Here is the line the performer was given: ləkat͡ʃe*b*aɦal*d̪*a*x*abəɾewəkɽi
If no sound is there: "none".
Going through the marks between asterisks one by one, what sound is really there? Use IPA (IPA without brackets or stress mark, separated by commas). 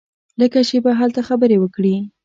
b, t̪, x